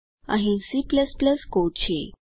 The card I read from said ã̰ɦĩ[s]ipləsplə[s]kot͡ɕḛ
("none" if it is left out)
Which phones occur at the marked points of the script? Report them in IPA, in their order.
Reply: s, s

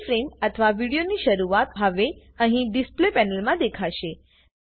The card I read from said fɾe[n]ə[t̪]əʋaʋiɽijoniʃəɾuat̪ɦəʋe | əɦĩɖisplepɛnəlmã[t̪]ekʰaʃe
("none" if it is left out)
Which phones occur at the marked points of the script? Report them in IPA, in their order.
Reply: m, t̪ʰ, d̪

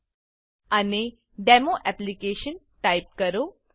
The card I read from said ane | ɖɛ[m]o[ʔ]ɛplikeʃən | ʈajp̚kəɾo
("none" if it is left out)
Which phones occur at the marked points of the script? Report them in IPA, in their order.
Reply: m, ʔ

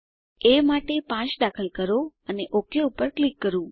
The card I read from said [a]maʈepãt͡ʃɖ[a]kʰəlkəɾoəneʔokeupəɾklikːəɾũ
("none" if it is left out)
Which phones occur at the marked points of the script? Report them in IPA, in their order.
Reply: e, a

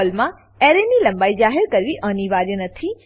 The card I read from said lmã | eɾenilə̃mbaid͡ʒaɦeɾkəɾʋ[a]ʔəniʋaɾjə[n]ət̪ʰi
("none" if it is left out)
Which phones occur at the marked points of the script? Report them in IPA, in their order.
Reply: i, n

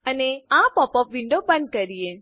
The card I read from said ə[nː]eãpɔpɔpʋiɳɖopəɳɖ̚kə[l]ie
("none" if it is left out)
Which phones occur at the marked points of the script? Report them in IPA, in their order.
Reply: n, ɾ

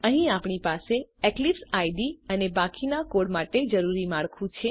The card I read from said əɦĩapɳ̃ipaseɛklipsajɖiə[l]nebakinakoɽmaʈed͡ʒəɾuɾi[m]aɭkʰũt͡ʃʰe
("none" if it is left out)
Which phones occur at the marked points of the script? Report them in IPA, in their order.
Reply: none, m

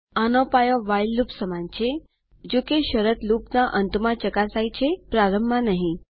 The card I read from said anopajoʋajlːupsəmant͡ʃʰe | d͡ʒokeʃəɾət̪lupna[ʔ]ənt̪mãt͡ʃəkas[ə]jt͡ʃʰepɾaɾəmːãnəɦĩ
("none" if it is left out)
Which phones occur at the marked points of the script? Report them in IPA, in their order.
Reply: ʔ, a

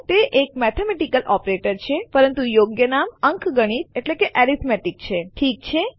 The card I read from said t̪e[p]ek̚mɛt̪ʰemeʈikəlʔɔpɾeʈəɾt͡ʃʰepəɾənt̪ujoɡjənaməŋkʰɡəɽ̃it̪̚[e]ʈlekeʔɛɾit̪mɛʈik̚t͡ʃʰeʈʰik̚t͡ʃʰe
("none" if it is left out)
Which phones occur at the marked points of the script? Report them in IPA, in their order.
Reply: ʔ, e

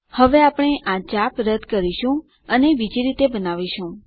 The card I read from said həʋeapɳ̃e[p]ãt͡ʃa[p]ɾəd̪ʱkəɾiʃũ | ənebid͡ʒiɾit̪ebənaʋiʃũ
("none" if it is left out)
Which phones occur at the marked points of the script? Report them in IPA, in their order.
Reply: ʔ, p

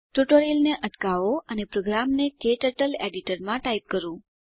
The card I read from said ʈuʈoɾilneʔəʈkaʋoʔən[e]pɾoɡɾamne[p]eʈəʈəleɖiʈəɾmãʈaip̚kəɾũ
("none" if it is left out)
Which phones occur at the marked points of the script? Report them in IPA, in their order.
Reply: e, k

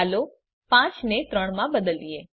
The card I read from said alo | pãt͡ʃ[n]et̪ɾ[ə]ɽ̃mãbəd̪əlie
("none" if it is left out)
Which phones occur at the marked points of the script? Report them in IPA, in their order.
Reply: n, ə

